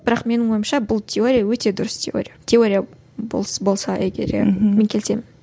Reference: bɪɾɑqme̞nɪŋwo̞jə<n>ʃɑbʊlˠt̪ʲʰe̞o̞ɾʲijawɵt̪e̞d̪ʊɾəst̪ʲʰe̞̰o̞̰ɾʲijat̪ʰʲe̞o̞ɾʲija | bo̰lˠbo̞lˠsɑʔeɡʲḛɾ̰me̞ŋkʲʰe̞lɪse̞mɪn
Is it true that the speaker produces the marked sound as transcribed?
no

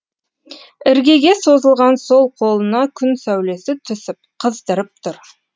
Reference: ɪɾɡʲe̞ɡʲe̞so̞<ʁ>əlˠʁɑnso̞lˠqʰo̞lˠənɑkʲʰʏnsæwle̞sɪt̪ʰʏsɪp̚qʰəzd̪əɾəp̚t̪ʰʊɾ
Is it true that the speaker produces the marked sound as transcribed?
no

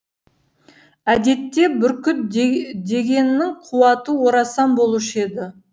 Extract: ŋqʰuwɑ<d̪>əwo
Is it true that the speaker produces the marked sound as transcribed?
no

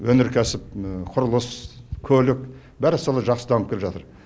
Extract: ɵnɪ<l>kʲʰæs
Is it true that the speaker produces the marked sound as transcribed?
no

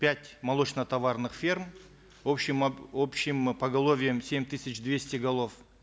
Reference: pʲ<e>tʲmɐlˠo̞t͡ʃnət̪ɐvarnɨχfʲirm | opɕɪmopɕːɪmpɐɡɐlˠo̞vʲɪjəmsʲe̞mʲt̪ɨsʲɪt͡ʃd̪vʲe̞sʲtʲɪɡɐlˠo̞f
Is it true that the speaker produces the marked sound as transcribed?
no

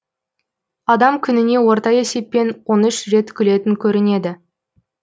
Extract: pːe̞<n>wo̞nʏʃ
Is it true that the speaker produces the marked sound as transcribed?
yes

